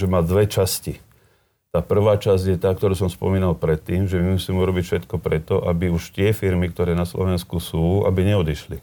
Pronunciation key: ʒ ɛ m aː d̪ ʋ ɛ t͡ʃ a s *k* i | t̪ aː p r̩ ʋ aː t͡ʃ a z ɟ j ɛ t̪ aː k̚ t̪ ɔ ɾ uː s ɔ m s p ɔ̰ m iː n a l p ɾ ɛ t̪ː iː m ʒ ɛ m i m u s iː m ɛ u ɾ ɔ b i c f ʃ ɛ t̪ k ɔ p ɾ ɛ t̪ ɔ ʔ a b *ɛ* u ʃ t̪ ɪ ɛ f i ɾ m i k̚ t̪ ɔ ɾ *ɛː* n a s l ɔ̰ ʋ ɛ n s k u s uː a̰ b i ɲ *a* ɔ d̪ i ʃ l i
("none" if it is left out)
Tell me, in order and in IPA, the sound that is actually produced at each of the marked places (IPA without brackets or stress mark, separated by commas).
c, i, ɛː, ɛ